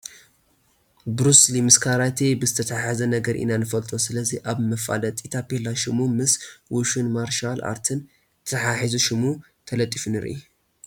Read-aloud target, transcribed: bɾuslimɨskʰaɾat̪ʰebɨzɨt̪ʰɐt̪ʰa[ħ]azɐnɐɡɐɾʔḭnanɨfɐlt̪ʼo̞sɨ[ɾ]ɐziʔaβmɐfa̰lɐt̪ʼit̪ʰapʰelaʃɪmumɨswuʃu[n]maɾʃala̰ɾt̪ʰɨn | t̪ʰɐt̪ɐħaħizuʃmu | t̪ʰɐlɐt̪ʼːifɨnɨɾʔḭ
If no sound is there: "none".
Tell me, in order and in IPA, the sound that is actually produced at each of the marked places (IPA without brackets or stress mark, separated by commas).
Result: ħ, l, n